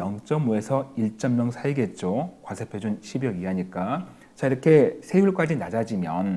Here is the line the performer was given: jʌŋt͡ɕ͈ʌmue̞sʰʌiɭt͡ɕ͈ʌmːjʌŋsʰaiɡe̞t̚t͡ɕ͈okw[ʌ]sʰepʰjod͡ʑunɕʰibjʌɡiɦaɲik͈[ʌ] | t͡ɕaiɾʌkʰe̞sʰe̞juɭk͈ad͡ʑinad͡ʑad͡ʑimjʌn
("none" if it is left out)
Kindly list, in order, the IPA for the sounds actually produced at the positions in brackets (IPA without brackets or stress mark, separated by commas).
a, a